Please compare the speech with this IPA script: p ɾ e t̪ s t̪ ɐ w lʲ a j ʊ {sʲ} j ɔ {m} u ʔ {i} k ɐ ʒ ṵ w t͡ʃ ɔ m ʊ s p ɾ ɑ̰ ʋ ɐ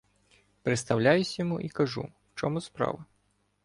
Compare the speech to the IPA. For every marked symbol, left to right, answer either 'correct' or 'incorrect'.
correct, correct, correct

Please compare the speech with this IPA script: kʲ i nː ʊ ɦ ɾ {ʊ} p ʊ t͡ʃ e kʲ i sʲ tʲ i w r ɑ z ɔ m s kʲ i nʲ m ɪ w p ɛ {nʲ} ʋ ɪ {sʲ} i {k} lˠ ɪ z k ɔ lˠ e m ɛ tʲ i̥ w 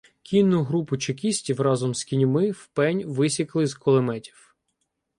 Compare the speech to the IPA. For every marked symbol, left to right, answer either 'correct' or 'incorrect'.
incorrect, correct, correct, correct

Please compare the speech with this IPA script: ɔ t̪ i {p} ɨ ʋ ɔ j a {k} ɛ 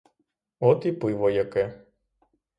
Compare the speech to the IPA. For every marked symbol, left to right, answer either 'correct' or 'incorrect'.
correct, correct

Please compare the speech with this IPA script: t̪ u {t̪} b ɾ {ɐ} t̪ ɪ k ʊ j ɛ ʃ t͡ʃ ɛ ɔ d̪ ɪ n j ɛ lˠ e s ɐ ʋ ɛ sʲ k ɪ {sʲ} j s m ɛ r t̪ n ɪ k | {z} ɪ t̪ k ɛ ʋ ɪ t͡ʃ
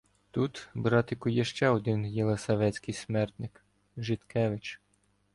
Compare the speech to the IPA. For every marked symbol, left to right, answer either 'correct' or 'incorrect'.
correct, incorrect, incorrect, incorrect

